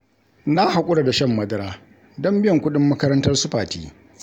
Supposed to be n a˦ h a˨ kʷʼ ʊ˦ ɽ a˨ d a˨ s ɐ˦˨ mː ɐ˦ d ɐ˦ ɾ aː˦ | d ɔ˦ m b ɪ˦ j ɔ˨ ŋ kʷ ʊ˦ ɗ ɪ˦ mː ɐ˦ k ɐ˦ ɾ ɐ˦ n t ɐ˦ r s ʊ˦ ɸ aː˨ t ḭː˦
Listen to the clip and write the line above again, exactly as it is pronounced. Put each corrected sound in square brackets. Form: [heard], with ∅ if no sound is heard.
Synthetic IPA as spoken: n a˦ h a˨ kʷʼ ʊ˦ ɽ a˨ d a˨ [ʃ] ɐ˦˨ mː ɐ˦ d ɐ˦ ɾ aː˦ | d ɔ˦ m b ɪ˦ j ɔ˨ ŋ kʷ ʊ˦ ɗ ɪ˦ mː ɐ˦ k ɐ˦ ɾ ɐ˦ n t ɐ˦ r s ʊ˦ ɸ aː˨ t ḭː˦